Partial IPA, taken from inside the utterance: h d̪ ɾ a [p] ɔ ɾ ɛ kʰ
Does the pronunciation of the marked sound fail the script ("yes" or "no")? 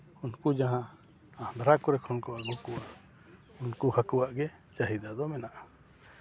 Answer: yes